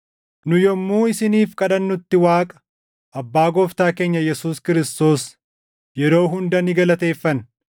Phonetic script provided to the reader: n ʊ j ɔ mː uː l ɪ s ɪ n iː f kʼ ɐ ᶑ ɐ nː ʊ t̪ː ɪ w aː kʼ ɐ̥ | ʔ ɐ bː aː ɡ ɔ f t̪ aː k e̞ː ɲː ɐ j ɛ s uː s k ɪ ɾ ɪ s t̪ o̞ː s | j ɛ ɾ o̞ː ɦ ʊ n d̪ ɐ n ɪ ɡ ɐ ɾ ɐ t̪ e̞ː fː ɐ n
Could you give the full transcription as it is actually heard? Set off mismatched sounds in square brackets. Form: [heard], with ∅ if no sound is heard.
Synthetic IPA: n ʊ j ɔ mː uː [∅] ɪ s ɪ n iː f kʼ ɐ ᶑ ɐ nː ʊ t̪ː ɪ w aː kʼ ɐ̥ | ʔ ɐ bː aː ɡ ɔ f t̪ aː k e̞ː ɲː ɐ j ɛ s uː s k ɪ ɾ ɪ s t̪ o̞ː s | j ɛ ɾ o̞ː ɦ ʊ n d̪ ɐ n ɪ ɡ ɐ [l] ɐ t̪ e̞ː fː ɐ n

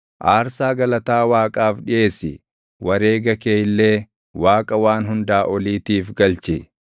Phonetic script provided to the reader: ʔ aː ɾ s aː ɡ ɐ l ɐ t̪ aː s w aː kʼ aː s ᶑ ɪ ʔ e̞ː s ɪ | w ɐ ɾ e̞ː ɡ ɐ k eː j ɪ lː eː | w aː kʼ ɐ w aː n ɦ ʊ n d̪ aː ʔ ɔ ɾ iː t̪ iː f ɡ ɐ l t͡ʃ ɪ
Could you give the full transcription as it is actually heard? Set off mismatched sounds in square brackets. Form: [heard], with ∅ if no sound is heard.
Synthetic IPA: ʔ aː ɾ s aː ɡ ɐ l ɐ t̪ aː [∅] w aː kʼ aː [f] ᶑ ɪ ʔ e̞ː s ɪ | w ɐ ɾ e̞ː ɡ ɐ k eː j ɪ lː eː | w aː kʼ ɐ w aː n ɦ ʊ n d̪ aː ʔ ɔ [l] iː t̪ iː f ɡ ɐ l t͡ʃ ɪ

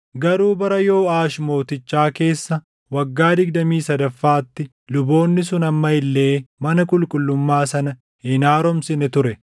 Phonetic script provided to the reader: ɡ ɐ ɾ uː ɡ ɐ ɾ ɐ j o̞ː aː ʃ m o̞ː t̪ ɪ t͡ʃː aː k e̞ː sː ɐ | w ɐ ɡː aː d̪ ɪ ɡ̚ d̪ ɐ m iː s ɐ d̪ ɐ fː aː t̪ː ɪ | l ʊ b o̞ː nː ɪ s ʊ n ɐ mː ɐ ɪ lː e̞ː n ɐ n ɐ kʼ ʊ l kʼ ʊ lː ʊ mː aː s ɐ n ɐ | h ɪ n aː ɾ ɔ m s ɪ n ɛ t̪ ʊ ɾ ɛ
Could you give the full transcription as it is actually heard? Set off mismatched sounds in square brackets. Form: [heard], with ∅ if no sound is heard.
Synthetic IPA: ɡ ɐ ɾ uː [b] ɐ ɾ ɐ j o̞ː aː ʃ m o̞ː t̪ ɪ t͡ʃː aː k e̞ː sː ɐ | w ɐ ɡː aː d̪ ɪ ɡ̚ d̪ ɐ m iː s ɐ d̪ ɐ fː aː t̪ː ɪ | l ʊ b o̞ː nː ɪ s ʊ n ɐ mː ɐ ɪ lː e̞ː [m] ɐ n ɐ kʼ ʊ l kʼ ʊ lː ʊ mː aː s ɐ n ɐ | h ɪ n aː ɾ ɔ m s ɪ n ɛ t̪ ʊ ɾ ɛ

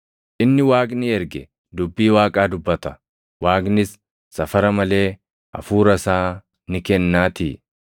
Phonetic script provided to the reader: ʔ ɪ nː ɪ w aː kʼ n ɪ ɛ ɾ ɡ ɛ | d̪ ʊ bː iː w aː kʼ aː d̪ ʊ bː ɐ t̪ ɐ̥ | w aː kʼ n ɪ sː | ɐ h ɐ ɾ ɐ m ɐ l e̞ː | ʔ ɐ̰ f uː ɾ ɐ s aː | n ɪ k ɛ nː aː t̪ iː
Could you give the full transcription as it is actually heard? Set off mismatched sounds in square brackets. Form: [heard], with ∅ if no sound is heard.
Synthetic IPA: ʔ ɪ nː ɪ w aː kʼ n ɪ ɛ ɾ ɡ ɛ | d̪ ʊ bː iː w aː kʼ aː d̪ ʊ bː ɐ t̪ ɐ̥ | w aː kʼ n ɪ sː | ɐ [f] ɐ ɾ ɐ m ɐ l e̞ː | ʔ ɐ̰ f uː ɾ ɐ s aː | n ɪ k ɛ nː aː t̪ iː

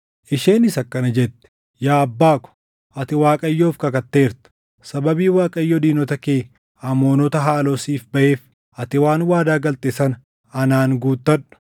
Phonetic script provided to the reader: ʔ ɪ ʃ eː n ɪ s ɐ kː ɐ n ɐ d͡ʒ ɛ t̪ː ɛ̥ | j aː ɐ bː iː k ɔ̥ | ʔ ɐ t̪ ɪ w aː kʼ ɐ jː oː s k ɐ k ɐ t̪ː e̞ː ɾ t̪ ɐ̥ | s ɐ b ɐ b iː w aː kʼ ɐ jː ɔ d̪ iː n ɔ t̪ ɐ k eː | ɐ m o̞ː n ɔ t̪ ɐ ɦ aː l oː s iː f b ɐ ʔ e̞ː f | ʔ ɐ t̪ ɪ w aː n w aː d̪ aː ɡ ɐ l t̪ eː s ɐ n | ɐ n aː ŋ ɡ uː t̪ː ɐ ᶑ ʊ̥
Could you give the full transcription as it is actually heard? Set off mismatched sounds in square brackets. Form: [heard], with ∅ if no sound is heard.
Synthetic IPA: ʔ ɪ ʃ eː n ɪ s ɐ kː ɐ n ɐ d͡ʒ ɛ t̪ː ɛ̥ | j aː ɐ bː [aː] k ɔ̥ | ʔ ɐ t̪ ɪ w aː kʼ ɐ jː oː [f] k ɐ k ɐ t̪ː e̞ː ɾ t̪ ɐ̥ | s ɐ b ɐ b iː w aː kʼ ɐ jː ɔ d̪ iː n ɔ t̪ ɐ k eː | ɐ m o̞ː n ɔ t̪ ɐ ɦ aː l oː s iː f b ɐ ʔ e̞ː f | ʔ ɐ t̪ ɪ w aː n w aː d̪ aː ɡ ɐ l t̪ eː s ɐ n | ɐ n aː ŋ ɡ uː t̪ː ɐ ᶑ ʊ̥

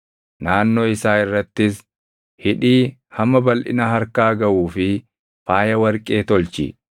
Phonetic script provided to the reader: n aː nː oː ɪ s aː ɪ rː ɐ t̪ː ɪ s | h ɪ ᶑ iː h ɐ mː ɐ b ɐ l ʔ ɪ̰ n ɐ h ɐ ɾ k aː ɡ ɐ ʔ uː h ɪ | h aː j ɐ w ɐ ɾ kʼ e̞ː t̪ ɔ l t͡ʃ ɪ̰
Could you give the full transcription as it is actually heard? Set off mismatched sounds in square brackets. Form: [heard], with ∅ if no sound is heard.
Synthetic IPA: n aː nː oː ɪ s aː ɪ rː ɐ t̪ː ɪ s | h ɪ ᶑ iː h ɐ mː ɐ b ɐ l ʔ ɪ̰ n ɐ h ɐ ɾ k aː ɡ ɐ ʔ uː [f] ɪ | [f] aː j ɐ w ɐ ɾ kʼ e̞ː t̪ ɔ l t͡ʃ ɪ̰

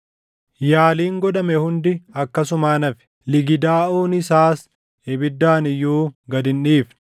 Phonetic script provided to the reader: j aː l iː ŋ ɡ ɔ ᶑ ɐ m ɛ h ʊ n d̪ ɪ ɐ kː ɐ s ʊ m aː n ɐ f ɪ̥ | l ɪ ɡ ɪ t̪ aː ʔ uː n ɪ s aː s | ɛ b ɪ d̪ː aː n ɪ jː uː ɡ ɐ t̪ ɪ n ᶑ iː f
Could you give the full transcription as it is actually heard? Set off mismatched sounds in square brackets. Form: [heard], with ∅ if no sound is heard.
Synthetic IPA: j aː l iː ŋ ɡ ɔ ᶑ ɐ m ɛ h ʊ n d̪ ɪ ɐ kː ɐ s ʊ m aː n ɐ f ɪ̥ | l ɪ ɡ ɪ [d̪] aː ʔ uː n ɪ s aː s | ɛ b ɪ d̪ː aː n ɪ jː uː ɡ ɐ [d̪] ɪ n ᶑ iː f

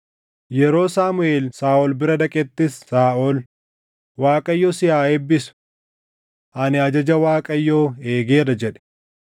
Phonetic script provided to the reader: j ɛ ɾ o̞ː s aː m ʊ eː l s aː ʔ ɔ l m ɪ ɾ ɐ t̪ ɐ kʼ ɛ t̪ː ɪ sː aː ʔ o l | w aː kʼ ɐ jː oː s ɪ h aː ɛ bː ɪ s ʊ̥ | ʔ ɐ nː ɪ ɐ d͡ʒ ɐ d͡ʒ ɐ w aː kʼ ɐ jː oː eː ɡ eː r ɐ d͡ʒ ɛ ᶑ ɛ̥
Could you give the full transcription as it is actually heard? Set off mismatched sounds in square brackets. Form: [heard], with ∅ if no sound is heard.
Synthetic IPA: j ɛ ɾ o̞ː s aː m ʊ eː l s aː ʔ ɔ l [b] ɪ ɾ ɐ [d̪] ɐ kʼ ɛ t̪ː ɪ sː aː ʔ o l | w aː kʼ ɐ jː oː s ɪ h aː ɛ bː ɪ s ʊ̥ | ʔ ɐ [n] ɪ ɐ d͡ʒ ɐ d͡ʒ ɐ w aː kʼ ɐ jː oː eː ɡ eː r ɐ d͡ʒ ɛ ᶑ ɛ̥

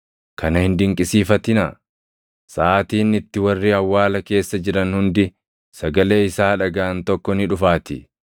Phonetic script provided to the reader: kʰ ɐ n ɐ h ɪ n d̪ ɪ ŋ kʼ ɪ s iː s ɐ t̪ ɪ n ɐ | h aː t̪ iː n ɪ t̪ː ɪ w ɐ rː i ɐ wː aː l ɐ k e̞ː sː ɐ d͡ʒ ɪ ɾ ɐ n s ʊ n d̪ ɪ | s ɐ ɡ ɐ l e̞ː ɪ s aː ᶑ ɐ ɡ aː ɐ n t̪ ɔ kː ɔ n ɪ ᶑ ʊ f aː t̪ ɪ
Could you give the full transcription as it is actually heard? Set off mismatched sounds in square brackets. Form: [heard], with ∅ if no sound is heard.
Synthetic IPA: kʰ ɐ n ɐ h ɪ n d̪ ɪ ŋ kʼ ɪ s iː [f] ɐ t̪ ɪ n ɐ | [s] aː t̪ iː n ɪ t̪ː ɪ w ɐ rː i ɐ wː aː l ɐ k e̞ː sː ɐ d͡ʒ ɪ ɾ ɐ n [h] ʊ n d̪ ɪ | s ɐ ɡ ɐ l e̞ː ɪ s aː ᶑ ɐ ɡ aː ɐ n t̪ ɔ kː ɔ n ɪ ᶑ ʊ f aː t̪ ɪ

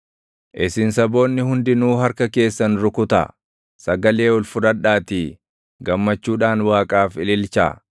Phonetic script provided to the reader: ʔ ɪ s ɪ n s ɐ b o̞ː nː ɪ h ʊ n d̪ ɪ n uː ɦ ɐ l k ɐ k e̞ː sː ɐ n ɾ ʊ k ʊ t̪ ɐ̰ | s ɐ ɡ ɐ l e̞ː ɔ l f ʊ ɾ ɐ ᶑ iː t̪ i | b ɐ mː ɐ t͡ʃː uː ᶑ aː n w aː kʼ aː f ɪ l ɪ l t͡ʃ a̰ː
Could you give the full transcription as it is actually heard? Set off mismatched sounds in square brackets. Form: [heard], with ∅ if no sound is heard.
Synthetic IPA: ʔ ɪ s ɪ n s ɐ b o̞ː nː ɪ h ʊ n d̪ ɪ n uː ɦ ɐ [ɾ] k ɐ k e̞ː sː ɐ n ɾ ʊ k ʊ t̪ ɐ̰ | s ɐ ɡ ɐ l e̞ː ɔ l f ʊ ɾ ɐ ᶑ [aː] t̪ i | [ɡ] ɐ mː ɐ t͡ʃː uː ᶑ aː n w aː kʼ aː f ɪ l ɪ l t͡ʃ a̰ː

